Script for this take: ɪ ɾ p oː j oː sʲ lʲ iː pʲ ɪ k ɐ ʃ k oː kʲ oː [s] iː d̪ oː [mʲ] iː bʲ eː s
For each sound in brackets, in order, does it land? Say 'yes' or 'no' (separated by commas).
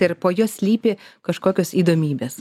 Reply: yes, yes